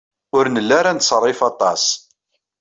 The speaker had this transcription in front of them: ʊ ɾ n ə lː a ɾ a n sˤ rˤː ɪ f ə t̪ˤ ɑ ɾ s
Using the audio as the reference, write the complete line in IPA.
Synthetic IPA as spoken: ʊ ɾ n ə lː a ɾ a n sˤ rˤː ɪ f ɑ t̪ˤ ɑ s